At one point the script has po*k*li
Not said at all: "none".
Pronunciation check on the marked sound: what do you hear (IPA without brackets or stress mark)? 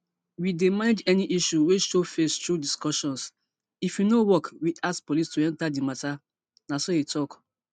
none